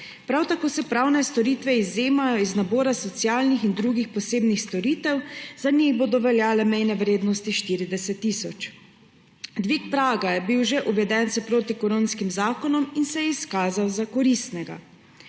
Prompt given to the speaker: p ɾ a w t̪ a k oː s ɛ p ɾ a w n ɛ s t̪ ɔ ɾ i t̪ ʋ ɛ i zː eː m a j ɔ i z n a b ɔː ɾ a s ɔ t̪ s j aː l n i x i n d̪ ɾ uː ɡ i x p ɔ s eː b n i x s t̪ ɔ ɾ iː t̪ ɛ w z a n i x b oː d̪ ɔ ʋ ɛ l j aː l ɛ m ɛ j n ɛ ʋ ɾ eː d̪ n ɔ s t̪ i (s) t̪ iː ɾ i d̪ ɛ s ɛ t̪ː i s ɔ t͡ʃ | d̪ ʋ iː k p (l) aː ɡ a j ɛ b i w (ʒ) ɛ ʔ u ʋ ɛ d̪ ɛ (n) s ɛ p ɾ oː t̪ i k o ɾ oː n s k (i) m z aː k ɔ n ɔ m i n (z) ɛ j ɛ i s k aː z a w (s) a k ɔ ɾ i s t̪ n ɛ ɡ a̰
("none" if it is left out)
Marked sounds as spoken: ʃ, ɾ, ʒ, n, i, s, z

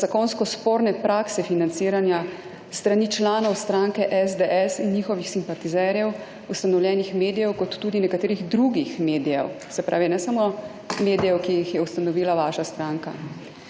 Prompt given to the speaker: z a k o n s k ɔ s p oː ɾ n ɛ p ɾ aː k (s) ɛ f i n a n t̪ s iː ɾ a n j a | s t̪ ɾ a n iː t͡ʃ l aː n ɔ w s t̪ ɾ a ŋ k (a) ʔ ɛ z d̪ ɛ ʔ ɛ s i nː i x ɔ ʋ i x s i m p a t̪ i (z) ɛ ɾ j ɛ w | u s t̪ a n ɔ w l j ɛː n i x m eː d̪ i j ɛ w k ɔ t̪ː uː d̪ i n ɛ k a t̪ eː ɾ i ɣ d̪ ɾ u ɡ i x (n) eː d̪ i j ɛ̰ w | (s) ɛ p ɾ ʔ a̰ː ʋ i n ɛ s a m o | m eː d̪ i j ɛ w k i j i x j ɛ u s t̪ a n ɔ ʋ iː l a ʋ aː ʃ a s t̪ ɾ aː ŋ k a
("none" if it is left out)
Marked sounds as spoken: s, ɛ, z, m, s

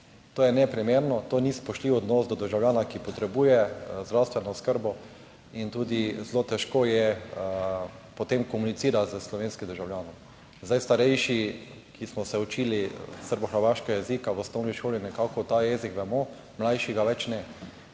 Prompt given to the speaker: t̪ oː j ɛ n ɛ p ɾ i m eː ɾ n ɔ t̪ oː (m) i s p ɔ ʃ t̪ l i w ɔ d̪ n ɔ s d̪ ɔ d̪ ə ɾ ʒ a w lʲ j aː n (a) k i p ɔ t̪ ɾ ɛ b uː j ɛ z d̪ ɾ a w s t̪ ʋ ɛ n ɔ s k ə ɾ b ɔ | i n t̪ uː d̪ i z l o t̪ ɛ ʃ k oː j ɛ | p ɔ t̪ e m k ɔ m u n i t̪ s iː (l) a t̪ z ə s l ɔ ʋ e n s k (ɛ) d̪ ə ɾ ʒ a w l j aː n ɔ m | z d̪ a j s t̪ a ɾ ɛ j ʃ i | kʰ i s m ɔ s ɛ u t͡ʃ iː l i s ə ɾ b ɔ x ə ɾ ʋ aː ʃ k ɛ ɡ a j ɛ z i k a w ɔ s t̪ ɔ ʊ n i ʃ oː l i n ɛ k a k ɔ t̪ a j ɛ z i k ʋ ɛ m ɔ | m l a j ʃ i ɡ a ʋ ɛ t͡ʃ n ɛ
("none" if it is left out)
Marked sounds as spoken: n, a, ɾ, i

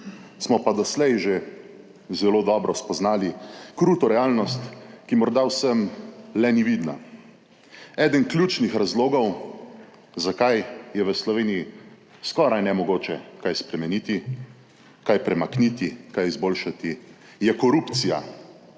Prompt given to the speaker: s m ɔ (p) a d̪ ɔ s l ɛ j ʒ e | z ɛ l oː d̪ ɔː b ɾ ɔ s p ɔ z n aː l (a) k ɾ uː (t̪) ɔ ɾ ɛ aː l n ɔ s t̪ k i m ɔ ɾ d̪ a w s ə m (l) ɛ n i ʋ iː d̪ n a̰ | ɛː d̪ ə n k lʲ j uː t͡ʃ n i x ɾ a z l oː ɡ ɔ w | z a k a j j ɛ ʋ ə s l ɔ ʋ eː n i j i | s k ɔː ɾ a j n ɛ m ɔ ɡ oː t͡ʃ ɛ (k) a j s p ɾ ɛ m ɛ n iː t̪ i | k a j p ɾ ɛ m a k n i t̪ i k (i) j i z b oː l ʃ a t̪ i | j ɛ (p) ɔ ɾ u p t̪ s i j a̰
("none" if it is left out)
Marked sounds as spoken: p, i, t̪, l, k, a, k

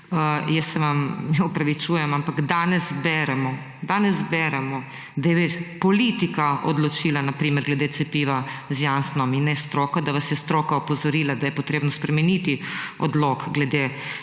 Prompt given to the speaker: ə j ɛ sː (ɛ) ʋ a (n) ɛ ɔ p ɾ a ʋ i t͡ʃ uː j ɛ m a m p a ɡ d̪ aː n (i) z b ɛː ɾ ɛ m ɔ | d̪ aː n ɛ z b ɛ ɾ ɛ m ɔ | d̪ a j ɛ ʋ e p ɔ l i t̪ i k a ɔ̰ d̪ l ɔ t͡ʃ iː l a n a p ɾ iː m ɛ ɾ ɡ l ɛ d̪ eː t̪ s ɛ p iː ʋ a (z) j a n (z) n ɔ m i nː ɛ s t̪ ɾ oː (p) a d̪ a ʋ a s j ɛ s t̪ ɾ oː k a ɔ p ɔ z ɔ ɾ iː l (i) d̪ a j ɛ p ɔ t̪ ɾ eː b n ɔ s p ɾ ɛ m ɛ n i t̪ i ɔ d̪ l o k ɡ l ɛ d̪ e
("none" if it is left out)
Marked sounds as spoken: ɛ, m, ɛ, z, s, k, a

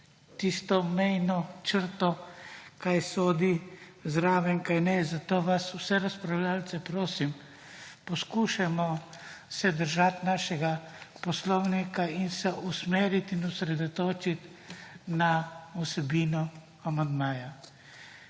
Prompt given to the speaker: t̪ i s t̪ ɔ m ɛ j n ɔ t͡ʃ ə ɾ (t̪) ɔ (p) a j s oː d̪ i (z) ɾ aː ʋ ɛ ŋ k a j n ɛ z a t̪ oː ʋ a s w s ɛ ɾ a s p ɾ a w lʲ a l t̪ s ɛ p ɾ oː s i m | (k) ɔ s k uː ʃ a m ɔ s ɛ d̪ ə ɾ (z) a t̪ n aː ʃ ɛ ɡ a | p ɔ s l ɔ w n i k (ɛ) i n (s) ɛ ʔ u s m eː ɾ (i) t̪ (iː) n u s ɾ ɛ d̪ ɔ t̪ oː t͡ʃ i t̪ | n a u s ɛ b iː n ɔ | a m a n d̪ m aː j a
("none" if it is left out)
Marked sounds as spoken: t̪, k, z, p, ʒ, a, s, i, i

